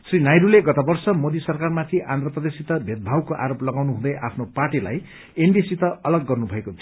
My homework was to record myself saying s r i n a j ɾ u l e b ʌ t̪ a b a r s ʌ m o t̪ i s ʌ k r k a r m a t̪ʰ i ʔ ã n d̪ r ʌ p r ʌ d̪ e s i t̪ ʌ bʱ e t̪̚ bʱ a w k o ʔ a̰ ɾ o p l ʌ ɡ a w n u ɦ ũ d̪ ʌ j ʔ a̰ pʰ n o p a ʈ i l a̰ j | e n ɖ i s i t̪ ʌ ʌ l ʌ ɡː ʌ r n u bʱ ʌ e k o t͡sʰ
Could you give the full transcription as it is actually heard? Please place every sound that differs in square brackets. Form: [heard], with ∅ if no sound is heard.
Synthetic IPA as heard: s r i n a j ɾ u l e [ɡ] ʌ t̪ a b [ʌ] r s ʌ m o [d̪] i s ʌ [∅] r k a r m a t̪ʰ i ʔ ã n d̪ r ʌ p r ʌ d̪ e s i t̪ ʌ bʱ e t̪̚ bʱ a w k o ʔ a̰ ɾ o p l ʌ ɡ a w n u ɦ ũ d̪ ʌ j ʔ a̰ pʰ n o p a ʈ i l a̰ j | e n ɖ i s i t̪ ʌ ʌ l ʌ ɡː ʌ r n u bʱ ʌ e k o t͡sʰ